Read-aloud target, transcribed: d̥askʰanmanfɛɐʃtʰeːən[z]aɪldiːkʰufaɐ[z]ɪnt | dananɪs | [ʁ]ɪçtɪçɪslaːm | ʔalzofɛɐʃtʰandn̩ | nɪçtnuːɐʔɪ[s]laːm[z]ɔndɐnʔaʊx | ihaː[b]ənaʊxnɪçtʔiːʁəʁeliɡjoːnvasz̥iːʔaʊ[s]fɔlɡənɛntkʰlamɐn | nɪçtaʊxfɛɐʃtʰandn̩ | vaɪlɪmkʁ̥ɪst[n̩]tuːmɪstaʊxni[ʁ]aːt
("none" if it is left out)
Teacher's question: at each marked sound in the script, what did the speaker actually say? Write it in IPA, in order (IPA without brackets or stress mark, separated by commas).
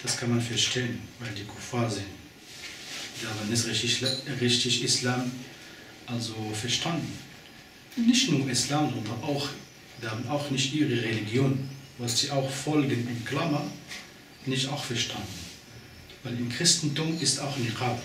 v, z, ʁ, s, z, b, x, n̩, ʁ